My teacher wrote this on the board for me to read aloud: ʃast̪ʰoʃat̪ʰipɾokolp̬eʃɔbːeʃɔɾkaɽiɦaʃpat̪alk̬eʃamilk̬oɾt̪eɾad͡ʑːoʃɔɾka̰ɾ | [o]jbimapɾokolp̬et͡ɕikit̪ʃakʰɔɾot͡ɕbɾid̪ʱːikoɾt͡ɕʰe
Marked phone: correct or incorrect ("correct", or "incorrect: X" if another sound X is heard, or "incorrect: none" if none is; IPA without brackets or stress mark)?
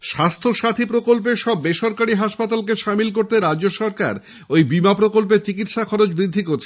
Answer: correct